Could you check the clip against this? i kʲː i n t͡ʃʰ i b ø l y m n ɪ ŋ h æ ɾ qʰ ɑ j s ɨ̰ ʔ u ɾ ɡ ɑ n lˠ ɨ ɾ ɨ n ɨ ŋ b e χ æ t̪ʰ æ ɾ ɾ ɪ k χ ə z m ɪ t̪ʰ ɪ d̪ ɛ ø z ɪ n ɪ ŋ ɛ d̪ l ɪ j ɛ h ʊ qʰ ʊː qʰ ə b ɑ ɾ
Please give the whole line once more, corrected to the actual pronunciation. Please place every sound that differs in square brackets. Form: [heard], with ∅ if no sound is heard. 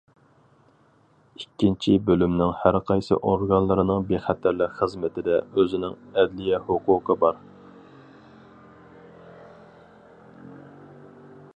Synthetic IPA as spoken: i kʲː i n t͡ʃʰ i b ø l y m n ɪ ŋ h æ ɾ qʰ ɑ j s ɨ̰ ʔ [o] ɾ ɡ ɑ n lˠ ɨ ɾ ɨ n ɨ ŋ b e χ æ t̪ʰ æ ɾ [l] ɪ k χ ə z m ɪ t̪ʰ ɪ d̪ ɛ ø z ɪ n ɪ ŋ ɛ d̪ l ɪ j ɛ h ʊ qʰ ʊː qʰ ə b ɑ ɾ